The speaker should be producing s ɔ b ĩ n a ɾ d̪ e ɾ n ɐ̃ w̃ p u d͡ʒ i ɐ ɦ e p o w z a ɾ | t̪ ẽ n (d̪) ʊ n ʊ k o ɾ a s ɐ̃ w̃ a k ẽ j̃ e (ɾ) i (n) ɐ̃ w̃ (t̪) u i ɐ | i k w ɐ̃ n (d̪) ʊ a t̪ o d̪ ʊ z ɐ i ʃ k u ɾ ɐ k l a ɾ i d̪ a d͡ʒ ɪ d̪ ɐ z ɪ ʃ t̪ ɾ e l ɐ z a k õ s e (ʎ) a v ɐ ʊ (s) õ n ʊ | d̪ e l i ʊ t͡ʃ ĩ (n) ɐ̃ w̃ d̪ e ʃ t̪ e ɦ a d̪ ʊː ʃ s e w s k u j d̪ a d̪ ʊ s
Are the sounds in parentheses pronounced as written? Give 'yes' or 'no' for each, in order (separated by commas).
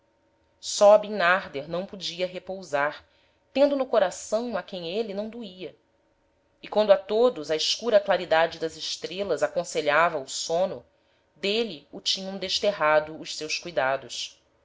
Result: yes, no, yes, no, yes, yes, yes, no